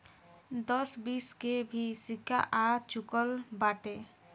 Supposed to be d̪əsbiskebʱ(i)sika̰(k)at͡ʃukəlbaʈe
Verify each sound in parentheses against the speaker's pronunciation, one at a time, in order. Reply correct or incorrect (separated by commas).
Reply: correct, incorrect